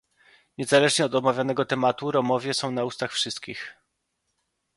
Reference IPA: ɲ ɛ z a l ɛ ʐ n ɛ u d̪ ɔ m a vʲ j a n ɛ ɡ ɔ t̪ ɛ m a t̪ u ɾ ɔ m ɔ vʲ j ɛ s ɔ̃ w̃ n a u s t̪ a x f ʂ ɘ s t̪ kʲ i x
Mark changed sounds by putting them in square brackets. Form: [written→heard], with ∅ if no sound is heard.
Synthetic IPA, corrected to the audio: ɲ ɛ z a l ɛ ʐ [n→ɲ] ɛ [u→ɔ] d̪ ɔ m a vʲ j a n ɛ ɡ ɔ t̪ ɛ m a t̪ u ɾ ɔ m ɔ vʲ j ɛ s ɔ̃ w̃ n a u s t̪ a x f ʂ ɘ s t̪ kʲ i x